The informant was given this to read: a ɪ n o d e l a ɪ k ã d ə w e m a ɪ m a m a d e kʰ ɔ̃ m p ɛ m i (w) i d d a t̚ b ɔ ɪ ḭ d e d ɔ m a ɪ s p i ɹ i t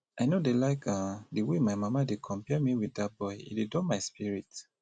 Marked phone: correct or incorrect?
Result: correct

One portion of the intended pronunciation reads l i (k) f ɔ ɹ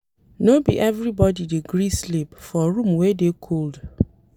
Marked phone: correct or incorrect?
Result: incorrect: p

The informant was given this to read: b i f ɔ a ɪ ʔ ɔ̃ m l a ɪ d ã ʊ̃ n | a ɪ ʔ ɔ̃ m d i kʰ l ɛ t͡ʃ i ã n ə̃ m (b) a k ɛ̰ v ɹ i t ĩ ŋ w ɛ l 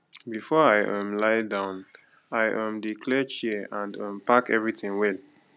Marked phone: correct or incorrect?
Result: incorrect: p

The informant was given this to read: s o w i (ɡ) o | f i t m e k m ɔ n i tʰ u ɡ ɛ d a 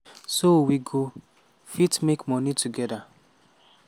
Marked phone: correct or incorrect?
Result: correct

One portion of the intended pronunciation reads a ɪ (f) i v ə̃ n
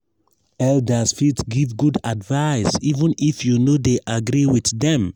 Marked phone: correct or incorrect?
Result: incorrect: s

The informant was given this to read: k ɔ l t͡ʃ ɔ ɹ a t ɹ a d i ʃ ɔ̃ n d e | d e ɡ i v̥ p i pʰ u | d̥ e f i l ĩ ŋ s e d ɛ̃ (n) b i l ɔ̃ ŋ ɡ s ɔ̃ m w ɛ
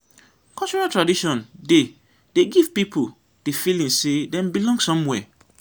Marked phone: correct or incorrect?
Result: incorrect: m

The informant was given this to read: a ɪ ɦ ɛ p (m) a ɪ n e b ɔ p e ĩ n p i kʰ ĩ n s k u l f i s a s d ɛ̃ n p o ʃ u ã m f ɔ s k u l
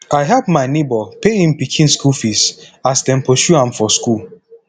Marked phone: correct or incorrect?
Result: correct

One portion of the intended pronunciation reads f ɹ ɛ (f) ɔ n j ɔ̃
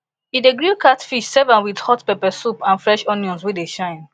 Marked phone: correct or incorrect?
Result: incorrect: ʃ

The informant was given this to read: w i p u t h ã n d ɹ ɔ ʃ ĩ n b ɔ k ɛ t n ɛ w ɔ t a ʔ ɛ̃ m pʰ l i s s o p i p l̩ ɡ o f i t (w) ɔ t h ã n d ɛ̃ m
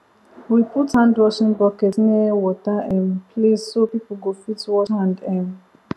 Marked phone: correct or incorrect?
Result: correct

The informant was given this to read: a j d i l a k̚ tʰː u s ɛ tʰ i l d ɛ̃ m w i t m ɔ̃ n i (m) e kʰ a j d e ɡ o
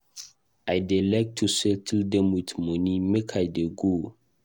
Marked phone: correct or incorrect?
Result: correct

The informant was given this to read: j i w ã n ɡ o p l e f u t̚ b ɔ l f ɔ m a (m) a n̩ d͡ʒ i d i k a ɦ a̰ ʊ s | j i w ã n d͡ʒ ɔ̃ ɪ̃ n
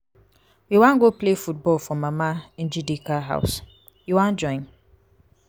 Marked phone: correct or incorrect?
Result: correct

